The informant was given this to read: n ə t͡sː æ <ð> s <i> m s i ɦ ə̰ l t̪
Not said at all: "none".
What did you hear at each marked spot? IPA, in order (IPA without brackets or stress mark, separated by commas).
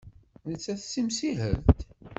θ, i